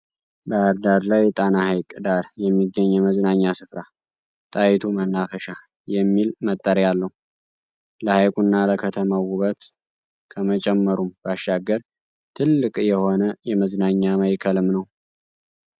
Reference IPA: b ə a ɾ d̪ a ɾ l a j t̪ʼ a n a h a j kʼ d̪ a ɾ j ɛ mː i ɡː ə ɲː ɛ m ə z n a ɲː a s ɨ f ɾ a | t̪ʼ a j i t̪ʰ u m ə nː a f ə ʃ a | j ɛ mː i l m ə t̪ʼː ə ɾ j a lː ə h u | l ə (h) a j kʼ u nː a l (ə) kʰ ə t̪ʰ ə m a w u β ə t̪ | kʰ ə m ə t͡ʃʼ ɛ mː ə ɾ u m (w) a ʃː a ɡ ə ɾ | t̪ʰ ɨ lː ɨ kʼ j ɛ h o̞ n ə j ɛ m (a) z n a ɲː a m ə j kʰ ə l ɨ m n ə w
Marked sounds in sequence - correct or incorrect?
correct, correct, incorrect: b, incorrect: ə

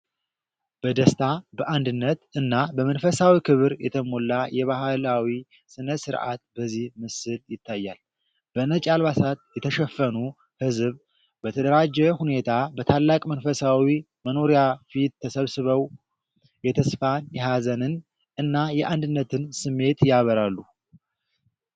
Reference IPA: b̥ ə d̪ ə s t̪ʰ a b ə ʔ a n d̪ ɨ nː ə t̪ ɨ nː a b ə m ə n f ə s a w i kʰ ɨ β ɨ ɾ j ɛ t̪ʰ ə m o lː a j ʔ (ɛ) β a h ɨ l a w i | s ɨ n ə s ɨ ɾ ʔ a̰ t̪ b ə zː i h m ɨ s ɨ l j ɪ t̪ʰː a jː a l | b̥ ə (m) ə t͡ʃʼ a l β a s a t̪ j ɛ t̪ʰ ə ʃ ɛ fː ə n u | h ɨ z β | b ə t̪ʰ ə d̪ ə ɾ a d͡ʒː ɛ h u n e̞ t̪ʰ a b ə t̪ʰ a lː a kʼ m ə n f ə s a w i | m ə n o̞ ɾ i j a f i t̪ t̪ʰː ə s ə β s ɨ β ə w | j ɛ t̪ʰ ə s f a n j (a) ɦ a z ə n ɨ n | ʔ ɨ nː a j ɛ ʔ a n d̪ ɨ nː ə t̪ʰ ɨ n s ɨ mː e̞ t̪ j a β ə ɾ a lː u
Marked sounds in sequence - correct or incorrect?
correct, incorrect: n, incorrect: ɛ

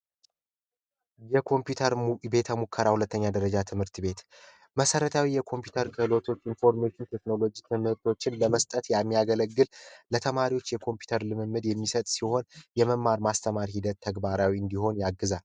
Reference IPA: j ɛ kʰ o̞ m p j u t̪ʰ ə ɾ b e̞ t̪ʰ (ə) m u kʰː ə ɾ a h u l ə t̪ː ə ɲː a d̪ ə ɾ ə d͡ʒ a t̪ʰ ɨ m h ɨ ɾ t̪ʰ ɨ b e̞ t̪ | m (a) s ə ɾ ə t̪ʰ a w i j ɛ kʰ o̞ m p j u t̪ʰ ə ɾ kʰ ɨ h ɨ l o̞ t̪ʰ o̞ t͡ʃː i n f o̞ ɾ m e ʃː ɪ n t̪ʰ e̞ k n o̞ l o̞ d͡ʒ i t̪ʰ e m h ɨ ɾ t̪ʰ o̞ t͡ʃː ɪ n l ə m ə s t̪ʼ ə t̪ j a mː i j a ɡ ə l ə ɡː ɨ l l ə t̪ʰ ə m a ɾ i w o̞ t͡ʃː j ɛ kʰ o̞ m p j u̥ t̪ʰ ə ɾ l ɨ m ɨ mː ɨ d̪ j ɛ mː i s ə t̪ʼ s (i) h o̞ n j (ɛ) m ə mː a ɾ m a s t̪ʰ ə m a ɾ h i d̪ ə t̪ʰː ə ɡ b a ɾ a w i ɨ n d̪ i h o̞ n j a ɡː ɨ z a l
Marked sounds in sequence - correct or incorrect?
correct, incorrect: ə, correct, correct

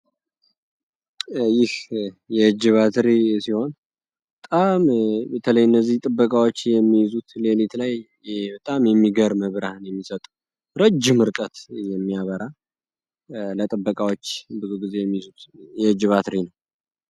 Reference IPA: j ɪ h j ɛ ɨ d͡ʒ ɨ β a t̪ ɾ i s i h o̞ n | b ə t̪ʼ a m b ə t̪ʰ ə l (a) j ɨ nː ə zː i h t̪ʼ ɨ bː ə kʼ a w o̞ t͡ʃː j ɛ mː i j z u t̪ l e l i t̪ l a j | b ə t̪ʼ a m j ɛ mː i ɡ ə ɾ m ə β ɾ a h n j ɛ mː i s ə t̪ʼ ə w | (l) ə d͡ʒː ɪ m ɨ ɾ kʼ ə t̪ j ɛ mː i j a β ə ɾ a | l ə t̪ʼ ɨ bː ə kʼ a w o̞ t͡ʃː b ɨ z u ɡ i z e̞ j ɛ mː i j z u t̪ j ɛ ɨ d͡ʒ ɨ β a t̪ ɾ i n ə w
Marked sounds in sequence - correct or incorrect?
incorrect: ə, incorrect: ɾ

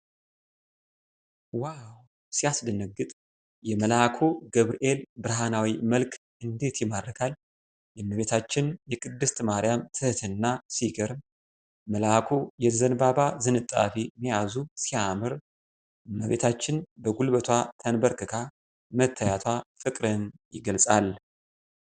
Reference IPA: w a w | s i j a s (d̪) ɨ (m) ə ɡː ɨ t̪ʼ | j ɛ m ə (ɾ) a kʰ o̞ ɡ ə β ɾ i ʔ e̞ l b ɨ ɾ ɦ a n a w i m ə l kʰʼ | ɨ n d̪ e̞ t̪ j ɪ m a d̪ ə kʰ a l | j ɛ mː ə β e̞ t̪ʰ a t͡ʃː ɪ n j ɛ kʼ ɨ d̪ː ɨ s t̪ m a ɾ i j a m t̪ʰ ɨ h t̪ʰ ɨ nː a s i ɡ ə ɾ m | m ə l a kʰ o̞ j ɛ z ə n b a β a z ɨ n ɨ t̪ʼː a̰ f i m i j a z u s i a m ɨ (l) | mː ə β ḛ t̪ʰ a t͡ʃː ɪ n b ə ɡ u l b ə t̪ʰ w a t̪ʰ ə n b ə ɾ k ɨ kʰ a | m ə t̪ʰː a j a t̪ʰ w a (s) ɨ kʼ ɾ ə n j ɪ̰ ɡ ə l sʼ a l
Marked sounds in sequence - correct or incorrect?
correct, incorrect: n, incorrect: l, incorrect: ɾ, incorrect: f

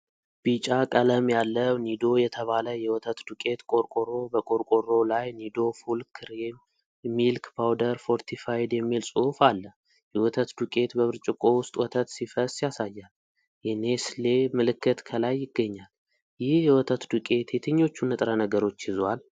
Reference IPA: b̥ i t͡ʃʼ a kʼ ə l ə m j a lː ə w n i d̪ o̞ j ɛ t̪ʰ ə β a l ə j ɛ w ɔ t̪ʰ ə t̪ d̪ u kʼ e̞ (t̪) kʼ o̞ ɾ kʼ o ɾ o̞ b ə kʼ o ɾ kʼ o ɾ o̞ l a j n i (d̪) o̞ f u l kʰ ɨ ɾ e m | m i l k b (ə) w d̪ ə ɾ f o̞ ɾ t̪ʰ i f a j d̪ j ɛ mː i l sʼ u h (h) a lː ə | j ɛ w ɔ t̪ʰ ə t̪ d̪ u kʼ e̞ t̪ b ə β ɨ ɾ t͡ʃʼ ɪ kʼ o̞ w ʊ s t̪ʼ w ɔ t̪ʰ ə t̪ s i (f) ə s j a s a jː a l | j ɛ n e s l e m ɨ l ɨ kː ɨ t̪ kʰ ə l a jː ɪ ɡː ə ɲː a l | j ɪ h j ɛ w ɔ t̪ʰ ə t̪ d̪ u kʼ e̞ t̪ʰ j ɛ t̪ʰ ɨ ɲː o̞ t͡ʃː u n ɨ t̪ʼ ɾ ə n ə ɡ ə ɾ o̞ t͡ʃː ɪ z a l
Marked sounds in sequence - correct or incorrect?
correct, correct, incorrect: a, incorrect: f, correct

